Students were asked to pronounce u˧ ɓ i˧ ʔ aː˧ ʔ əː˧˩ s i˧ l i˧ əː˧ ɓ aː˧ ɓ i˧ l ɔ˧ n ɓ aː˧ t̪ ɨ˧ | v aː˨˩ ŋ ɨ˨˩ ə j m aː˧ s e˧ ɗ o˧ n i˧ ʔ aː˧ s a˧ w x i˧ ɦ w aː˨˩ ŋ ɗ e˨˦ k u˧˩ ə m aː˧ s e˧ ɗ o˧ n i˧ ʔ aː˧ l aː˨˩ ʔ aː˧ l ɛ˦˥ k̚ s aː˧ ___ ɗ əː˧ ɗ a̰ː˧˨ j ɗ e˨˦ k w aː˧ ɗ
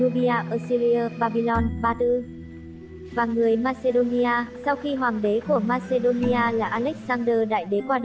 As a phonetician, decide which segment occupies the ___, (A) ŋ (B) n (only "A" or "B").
B